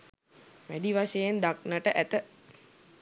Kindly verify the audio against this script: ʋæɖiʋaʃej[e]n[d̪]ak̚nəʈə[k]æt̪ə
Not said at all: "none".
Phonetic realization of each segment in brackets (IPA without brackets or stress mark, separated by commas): e, d̪, ʔ